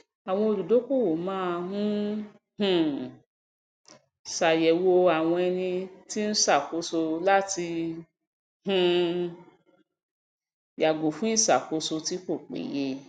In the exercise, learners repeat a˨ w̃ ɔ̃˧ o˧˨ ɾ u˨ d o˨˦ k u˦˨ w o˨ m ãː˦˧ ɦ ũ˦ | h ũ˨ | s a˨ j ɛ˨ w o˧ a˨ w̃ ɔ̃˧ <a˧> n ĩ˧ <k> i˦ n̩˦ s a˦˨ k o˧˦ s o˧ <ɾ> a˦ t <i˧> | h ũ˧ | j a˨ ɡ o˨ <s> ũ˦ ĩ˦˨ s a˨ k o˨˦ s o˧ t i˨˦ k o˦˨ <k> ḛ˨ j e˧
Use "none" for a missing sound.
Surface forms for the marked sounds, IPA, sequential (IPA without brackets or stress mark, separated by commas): ɛ˧, t, l, i˧, f, k͡p